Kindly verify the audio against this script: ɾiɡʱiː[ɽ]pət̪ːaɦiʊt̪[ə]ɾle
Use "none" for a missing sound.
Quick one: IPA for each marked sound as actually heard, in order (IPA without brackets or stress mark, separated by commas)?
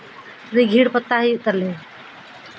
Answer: ɽ, ə